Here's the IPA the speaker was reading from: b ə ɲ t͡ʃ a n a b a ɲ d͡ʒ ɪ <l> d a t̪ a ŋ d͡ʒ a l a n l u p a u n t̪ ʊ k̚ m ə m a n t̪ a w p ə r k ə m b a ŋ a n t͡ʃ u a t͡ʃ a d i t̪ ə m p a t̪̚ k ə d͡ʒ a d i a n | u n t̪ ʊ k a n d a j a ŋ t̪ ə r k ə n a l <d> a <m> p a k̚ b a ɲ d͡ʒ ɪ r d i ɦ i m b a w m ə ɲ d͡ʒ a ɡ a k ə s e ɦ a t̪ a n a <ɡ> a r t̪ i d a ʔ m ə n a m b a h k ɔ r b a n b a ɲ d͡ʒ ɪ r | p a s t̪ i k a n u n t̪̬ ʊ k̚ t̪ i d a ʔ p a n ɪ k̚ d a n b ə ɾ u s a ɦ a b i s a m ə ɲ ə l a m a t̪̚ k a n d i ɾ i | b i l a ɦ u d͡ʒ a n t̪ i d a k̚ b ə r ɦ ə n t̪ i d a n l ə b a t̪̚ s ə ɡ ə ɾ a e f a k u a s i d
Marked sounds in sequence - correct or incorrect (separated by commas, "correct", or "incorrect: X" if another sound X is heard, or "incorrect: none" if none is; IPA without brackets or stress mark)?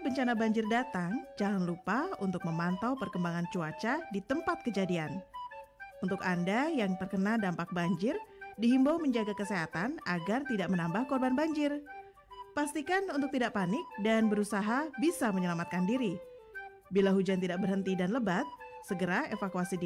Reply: incorrect: r, correct, correct, correct